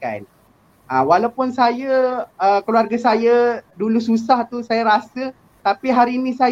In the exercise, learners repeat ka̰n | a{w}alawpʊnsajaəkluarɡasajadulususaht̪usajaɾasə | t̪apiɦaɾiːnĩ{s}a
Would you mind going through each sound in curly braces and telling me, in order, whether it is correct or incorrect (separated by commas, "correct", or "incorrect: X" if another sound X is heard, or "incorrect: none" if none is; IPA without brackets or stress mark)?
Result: correct, correct